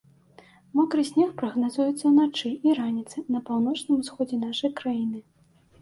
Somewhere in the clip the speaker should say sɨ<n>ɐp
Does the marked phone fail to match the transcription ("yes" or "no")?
no